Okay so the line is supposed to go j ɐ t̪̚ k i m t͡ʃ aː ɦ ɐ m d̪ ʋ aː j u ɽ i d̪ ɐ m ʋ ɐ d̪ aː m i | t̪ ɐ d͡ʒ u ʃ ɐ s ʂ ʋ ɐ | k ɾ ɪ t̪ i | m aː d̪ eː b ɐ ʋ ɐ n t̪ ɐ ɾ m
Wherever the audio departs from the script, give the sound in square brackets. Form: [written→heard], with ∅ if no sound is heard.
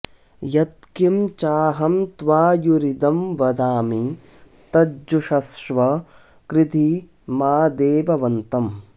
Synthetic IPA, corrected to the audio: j ɐ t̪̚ k i m t͡ʃ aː ɦ ɐ m [d̪→t̪] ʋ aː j u [ɽ→ɾ] i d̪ ɐ m ʋ ɐ d̪ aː m i | t̪ ɐ d͡ʒ u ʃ ɐ s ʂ ʋ ɐ | k ɾ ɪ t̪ i | m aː d̪ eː b ɐ ʋ ɐ n t̪ ɐ [ɾ→∅] m